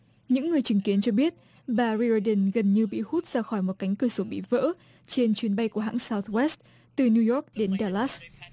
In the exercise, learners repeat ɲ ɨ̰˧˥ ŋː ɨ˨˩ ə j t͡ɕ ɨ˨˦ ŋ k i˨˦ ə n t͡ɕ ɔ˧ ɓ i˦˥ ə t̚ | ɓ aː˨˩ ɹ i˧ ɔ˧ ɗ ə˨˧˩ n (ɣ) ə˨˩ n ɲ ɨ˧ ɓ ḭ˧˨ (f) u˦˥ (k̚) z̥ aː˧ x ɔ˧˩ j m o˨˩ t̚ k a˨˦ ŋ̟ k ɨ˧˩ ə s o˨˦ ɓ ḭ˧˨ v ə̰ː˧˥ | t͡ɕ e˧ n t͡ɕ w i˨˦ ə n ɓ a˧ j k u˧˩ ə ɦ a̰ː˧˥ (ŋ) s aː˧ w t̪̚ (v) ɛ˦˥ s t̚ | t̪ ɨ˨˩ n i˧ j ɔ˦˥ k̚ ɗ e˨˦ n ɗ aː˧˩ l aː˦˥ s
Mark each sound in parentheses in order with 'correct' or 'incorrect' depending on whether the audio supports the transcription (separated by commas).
correct, incorrect, incorrect, correct, incorrect